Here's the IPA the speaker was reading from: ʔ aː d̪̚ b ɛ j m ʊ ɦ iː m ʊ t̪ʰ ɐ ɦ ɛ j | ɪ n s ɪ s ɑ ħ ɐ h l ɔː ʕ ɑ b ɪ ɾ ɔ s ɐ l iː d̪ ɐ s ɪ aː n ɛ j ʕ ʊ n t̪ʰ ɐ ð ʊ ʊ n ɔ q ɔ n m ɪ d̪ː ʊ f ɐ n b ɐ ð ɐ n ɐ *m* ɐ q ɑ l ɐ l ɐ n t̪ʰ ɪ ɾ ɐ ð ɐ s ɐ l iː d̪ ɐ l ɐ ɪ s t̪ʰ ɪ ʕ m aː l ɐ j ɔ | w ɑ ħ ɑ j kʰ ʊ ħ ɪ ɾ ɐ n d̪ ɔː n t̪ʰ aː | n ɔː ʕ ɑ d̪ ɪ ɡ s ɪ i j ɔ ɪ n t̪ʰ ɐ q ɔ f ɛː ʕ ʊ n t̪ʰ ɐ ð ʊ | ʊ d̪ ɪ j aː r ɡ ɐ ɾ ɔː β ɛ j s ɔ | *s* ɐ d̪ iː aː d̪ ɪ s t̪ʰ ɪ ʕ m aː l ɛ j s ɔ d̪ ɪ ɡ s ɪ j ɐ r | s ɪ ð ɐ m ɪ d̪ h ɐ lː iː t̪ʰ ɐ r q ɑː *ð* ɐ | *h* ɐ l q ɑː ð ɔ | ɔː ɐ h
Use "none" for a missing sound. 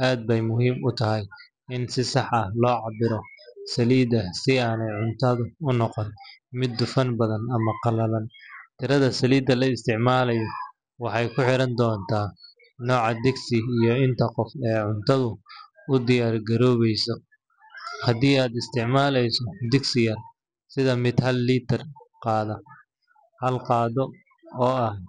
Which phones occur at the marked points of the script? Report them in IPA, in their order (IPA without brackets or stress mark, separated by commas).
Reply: m, h, ð, h